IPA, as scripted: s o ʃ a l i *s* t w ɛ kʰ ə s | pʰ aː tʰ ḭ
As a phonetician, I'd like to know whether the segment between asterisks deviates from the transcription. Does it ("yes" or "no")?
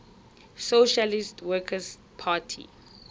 no